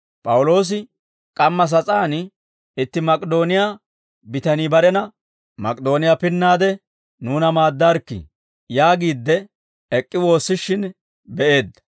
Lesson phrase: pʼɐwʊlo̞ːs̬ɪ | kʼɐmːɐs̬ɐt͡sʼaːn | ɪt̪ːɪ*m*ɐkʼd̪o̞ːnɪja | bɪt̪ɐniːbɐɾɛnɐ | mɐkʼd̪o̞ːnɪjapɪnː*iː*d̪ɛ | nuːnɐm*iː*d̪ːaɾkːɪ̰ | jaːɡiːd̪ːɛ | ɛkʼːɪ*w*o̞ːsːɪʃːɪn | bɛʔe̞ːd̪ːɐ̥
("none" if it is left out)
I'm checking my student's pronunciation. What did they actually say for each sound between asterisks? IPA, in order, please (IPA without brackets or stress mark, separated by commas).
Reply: m, aː, aː, w